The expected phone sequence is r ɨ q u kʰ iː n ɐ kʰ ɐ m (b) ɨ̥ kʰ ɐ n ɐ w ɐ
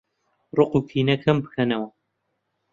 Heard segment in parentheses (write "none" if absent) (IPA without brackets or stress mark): b